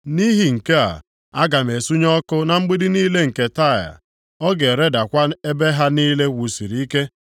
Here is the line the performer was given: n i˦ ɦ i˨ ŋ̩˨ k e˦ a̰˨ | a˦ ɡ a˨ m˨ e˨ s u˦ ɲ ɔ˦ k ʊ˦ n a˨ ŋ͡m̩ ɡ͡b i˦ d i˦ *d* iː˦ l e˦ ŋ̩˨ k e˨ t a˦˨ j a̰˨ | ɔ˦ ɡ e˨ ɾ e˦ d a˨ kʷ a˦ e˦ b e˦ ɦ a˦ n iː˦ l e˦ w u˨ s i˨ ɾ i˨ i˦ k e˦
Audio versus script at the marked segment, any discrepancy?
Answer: yes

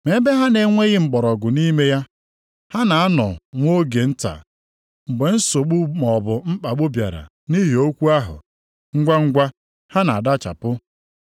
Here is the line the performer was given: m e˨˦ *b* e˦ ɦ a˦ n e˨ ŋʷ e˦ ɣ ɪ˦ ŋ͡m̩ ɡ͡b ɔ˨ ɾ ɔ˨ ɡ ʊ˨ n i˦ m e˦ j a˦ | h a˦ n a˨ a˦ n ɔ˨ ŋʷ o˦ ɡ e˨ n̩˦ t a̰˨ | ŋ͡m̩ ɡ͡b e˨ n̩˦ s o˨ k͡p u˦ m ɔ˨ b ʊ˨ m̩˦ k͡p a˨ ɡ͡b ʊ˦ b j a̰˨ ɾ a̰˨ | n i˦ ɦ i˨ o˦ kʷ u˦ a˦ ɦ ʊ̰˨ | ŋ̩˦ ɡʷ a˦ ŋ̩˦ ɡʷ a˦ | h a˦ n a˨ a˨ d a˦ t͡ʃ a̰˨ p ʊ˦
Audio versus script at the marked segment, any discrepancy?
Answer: no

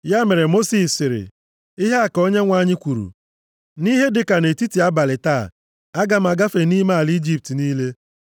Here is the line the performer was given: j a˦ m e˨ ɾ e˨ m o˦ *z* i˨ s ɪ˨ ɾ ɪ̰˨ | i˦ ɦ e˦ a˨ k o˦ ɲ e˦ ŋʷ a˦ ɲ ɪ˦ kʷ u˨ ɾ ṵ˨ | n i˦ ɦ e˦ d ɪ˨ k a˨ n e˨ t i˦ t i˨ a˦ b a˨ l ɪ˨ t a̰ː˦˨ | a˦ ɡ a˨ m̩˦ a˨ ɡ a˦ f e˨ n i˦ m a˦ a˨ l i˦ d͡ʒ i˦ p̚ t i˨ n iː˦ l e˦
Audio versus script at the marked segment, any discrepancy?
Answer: yes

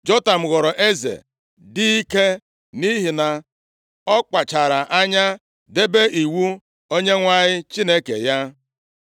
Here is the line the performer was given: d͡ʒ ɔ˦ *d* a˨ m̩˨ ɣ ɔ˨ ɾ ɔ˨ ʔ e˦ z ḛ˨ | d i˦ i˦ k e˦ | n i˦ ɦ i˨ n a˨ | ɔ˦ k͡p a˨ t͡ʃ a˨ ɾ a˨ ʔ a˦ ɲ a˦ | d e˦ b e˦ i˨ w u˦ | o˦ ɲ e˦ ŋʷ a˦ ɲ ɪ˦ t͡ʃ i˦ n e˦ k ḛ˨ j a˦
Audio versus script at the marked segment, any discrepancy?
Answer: yes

